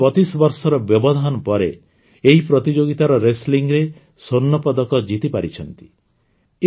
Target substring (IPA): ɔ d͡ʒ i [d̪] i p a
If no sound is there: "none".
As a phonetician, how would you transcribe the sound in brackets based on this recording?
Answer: t̪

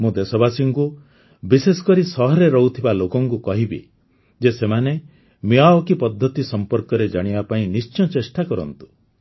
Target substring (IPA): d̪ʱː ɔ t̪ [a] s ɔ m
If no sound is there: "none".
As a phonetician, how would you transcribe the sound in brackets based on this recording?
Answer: i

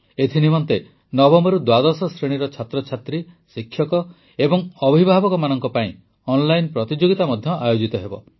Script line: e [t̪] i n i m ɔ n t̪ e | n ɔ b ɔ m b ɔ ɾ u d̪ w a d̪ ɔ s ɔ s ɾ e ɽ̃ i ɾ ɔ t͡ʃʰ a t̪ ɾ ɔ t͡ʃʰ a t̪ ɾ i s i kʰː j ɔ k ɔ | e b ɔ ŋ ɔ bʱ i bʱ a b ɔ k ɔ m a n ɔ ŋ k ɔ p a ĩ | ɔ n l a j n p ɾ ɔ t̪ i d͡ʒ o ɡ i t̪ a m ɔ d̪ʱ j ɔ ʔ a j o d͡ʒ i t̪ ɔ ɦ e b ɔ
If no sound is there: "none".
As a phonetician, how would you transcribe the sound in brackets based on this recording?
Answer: t̪ʰ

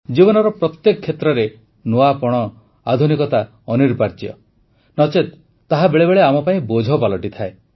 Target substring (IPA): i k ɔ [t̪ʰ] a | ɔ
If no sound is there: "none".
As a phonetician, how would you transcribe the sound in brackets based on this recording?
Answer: t̪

